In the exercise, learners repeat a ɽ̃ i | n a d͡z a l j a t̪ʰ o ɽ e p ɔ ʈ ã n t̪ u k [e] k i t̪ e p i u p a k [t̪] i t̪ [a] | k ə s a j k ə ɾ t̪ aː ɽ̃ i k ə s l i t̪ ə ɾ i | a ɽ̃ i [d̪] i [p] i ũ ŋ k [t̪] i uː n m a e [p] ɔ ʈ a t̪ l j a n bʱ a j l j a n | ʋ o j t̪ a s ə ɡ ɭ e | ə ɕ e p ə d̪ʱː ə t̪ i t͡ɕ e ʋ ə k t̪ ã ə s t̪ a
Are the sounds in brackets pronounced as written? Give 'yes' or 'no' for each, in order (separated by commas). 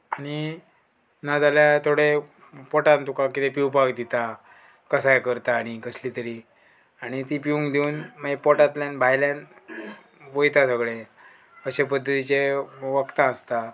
no, no, yes, no, yes, no, yes